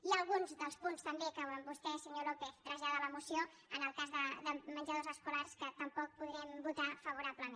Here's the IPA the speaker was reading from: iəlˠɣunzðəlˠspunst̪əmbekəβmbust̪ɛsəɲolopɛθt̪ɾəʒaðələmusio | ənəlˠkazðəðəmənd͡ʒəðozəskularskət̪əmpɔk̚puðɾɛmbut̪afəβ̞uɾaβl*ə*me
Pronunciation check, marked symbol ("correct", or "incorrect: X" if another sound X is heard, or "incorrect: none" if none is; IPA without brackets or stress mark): correct